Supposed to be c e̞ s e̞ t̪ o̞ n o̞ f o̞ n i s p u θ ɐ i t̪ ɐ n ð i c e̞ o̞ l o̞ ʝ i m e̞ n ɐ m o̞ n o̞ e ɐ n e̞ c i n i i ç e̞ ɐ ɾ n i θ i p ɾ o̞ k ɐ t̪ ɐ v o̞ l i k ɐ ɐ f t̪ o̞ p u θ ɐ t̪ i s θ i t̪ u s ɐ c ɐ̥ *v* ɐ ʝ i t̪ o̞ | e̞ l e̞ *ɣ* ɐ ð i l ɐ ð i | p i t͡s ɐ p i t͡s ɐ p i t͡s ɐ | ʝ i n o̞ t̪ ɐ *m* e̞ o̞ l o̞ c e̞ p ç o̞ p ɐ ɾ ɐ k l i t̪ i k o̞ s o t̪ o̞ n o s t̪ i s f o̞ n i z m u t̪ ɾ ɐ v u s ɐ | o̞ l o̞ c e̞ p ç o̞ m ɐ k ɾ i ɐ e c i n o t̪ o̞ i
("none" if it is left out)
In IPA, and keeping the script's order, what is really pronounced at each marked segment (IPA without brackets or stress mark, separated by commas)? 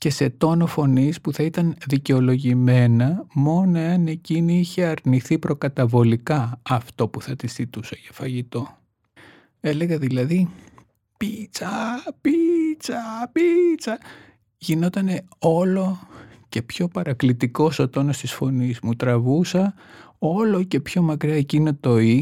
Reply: f, ɣ, n